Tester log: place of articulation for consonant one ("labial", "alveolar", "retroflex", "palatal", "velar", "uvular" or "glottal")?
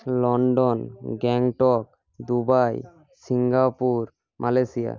alveolar